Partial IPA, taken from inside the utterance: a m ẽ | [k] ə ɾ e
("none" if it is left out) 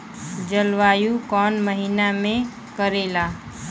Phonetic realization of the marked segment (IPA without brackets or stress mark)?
k